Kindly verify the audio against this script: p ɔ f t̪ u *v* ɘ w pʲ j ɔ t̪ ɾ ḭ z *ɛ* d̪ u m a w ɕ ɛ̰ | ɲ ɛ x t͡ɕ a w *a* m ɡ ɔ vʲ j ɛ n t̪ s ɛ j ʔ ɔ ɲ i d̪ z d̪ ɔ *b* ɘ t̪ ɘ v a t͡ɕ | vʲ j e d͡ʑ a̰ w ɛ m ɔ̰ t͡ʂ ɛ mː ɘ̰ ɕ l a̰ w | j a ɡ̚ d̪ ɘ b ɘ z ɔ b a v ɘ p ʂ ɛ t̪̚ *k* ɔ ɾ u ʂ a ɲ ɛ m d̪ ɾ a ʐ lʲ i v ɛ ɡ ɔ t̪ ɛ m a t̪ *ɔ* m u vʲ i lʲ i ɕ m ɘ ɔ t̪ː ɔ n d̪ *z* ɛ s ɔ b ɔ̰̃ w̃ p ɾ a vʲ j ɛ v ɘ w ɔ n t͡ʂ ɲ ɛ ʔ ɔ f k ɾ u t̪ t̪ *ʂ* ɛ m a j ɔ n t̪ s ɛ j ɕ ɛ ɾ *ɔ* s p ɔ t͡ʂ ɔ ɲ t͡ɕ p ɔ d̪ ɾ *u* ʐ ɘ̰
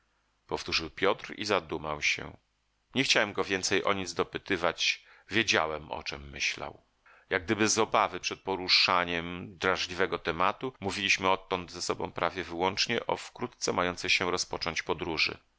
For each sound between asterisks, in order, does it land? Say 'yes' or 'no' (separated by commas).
no, no, no, no, no, no, yes, no, yes, yes